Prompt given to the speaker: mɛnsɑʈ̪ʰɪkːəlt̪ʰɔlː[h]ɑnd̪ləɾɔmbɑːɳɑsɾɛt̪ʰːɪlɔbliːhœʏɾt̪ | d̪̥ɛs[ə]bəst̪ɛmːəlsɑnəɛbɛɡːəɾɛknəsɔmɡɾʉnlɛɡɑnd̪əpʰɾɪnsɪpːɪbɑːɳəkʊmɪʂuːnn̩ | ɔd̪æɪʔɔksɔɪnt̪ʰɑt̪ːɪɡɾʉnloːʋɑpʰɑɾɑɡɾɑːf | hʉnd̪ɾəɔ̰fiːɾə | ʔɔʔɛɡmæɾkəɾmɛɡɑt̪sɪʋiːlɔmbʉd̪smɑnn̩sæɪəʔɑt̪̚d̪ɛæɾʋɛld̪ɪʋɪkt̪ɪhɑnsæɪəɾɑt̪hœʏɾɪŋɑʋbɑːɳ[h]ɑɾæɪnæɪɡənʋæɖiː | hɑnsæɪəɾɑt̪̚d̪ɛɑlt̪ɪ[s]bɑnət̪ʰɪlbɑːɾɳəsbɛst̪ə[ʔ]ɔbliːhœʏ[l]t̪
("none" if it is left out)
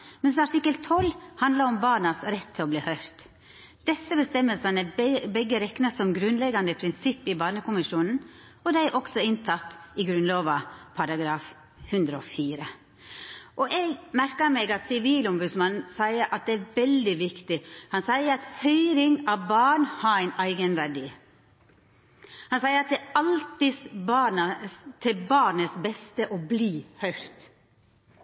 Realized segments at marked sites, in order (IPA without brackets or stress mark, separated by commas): h, ə, h, s, ʔ, ɾ